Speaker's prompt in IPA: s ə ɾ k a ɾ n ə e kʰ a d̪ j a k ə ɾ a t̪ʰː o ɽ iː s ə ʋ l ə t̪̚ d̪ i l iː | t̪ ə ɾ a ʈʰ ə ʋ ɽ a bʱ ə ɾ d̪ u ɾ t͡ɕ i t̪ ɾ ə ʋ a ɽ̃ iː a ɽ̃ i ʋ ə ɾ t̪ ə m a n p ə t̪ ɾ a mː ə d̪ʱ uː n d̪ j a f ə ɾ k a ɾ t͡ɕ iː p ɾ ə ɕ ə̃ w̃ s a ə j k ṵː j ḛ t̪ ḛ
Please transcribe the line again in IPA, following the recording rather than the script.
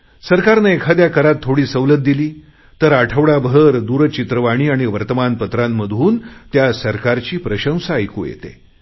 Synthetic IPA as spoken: s ə ɾ k a ɾ n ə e kʰ a d̪ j a k ə ɾ a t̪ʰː o ɽ iː s ə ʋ l ə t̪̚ d̪ i l iː | t̪ ə ɾ a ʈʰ ə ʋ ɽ a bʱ ə ɾ d̪ u ɾ t͡ɕ i t̪ ɾ ə ʋ a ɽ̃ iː a ɽ̃ i ʋ ə ɾ t̪ ə m a n p ə t̪ ɾ a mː ə d̪ʱ uː n t̪ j a s ə ɾ k a ɾ t͡ɕ iː p ɾ ə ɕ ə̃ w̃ s a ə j k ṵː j ḛ t̪ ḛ